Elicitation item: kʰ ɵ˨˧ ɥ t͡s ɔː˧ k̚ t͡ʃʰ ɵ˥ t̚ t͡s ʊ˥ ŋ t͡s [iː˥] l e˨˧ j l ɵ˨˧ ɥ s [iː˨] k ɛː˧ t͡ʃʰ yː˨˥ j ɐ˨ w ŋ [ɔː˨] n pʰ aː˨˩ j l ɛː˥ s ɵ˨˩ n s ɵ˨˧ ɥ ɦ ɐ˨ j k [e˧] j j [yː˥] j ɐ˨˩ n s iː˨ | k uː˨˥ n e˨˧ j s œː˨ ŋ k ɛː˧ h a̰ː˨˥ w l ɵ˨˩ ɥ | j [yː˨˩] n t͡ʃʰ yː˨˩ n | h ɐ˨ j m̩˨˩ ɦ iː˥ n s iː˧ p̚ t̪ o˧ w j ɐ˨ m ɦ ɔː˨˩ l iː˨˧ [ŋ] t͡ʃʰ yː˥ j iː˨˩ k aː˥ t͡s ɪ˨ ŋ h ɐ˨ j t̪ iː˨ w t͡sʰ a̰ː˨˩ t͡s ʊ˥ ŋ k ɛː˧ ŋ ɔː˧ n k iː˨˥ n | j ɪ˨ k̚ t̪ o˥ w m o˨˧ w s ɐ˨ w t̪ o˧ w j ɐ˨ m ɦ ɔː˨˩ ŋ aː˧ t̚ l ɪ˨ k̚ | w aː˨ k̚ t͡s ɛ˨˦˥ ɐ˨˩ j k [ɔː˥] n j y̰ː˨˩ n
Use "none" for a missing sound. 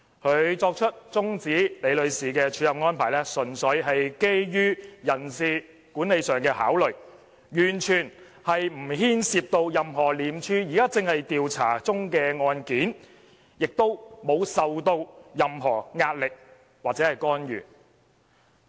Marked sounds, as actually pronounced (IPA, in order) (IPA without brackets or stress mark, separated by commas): iː˨˥, iː˨, ɔː˥, e˥, yː˥, yː˨˩, m, ɔː˥